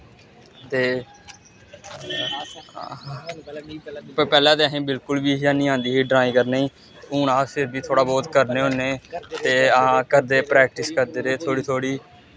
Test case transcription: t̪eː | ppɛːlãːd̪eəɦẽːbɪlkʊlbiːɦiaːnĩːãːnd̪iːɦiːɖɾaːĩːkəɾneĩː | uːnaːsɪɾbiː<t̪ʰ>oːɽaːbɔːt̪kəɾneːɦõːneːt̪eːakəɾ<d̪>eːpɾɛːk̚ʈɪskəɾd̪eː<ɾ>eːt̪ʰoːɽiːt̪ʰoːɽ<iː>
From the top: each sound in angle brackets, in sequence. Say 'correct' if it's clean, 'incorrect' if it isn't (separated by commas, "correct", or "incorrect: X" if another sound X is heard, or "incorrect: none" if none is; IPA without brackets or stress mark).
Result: correct, correct, correct, correct